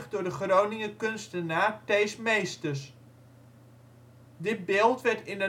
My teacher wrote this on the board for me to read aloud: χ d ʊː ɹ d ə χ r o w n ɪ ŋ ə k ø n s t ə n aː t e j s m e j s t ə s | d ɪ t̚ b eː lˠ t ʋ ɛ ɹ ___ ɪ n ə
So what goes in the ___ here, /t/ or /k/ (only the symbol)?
t